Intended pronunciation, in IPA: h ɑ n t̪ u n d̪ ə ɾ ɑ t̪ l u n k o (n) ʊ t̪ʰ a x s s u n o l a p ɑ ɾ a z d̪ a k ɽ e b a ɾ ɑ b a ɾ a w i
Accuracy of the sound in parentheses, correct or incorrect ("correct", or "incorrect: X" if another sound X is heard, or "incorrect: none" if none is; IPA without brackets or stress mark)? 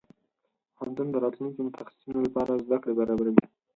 incorrect: m